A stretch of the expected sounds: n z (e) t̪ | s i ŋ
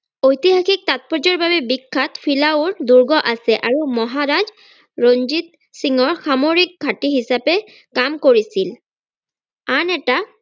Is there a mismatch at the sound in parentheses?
yes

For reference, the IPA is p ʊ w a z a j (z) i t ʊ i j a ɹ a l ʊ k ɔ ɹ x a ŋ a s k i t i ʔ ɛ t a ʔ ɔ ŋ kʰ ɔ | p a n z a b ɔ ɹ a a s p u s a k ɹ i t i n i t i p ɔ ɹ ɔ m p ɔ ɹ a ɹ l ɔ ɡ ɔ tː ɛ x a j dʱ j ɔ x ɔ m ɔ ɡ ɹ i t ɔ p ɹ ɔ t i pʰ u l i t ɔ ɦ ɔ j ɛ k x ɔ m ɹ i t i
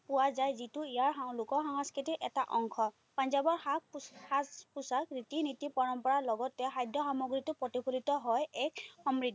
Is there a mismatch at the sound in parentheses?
no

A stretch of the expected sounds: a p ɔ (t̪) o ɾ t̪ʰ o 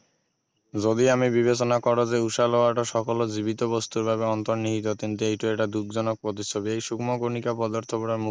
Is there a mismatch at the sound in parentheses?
yes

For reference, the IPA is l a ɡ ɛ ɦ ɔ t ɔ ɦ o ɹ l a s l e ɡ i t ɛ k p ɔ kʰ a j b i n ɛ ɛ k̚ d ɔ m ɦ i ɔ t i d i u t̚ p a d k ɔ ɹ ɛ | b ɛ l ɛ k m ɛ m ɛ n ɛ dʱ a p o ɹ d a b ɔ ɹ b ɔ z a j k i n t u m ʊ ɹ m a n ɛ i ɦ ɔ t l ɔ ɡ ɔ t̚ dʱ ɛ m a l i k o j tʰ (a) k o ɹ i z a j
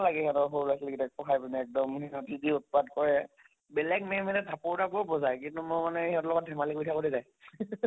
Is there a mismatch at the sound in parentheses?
no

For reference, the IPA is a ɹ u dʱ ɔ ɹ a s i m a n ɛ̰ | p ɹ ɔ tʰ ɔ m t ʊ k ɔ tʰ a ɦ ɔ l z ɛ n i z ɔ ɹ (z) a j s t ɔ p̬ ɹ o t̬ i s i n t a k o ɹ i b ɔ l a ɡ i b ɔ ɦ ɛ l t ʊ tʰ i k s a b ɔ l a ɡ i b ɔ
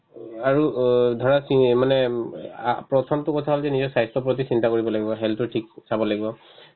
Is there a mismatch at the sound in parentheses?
yes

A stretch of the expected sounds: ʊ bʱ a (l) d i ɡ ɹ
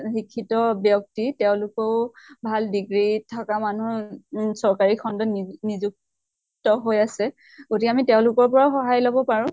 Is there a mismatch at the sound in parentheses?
no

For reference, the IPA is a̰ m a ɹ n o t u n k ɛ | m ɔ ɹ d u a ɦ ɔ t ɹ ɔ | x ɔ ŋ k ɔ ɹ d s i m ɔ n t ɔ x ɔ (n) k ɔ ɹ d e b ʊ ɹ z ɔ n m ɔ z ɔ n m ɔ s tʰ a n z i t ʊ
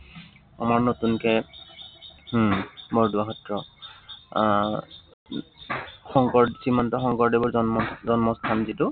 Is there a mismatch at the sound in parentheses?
yes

